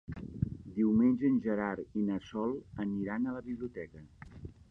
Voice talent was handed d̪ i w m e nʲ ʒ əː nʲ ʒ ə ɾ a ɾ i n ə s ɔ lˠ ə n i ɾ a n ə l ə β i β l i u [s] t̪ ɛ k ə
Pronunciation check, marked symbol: incorrect: none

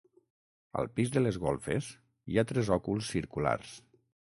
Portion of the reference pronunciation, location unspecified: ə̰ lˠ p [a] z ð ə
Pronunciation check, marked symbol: incorrect: i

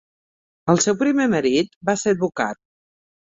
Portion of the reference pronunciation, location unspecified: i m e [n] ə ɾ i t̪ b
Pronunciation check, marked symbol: incorrect: m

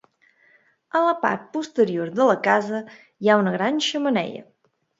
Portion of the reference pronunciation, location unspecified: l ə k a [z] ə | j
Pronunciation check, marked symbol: correct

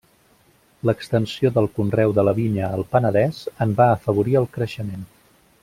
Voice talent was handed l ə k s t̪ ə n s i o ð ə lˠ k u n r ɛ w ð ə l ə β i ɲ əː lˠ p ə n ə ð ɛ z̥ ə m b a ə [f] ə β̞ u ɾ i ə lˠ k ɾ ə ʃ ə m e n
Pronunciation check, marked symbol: correct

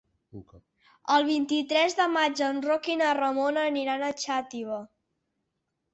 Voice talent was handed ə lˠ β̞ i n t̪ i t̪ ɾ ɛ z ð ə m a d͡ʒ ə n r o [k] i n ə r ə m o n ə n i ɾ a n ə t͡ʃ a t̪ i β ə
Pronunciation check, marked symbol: correct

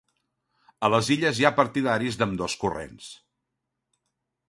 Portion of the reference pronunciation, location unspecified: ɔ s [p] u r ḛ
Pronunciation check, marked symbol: incorrect: k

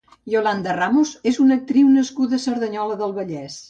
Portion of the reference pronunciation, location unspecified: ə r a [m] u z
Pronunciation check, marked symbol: correct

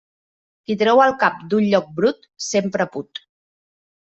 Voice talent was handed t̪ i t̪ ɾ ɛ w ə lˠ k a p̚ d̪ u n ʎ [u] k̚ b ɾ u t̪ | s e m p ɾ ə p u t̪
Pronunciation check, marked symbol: incorrect: ɔ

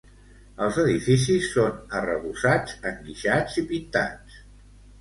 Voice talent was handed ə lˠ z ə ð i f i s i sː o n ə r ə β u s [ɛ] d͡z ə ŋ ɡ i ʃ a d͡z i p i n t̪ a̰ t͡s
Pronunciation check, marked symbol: incorrect: a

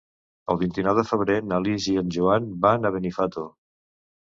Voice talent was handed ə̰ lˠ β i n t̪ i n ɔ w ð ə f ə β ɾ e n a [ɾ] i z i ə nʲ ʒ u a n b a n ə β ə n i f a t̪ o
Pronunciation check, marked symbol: incorrect: l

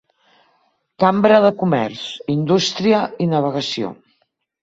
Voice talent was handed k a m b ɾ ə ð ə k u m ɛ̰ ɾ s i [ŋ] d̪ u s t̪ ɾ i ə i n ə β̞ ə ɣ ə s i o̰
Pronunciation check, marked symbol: incorrect: n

